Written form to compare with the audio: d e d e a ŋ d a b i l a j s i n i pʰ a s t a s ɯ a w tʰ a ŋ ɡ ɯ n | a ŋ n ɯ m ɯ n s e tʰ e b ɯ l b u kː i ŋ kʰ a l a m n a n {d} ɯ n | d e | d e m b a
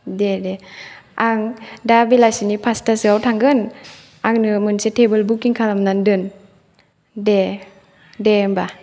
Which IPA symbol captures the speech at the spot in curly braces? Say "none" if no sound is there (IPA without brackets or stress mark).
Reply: d